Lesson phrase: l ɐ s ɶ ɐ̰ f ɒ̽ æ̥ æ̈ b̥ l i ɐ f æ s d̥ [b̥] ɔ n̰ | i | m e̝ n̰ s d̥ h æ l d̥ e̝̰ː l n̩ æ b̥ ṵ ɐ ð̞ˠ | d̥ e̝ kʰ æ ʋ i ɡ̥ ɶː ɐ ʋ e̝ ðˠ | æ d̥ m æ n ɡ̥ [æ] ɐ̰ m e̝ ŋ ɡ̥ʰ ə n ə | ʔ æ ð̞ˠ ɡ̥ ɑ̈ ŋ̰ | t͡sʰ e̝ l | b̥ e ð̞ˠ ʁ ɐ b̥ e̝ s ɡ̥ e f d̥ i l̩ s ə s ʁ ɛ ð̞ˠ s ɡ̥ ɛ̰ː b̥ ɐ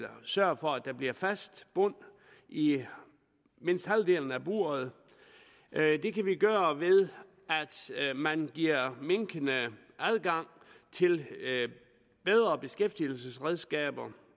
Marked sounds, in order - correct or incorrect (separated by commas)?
correct, incorrect